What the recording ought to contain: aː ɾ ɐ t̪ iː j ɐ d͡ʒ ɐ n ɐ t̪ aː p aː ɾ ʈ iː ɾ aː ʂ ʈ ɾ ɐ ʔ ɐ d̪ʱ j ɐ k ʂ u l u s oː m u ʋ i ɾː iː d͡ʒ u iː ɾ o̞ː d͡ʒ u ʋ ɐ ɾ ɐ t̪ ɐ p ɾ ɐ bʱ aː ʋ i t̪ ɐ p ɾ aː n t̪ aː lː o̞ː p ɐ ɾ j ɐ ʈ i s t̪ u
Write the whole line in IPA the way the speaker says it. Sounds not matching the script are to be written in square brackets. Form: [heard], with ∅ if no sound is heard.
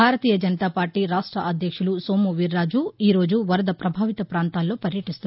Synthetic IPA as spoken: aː ɾ ɐ t̪ iː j ɐ d͡ʒ ɐ n ɐ t̪ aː p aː ɾ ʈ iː ɾ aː ʂ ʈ ɾ ɐ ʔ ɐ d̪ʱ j ɐ k ʂ u l u s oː m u ʋ i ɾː [aː] d͡ʒ u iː ɾ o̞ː d͡ʒ u ʋ ɐ ɾ ɐ [d̪] ɐ p ɾ ɐ bʱ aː ʋ i t̪ ɐ p ɾ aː n t̪ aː lː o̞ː p ɐ ɾ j ɐ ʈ i s t̪ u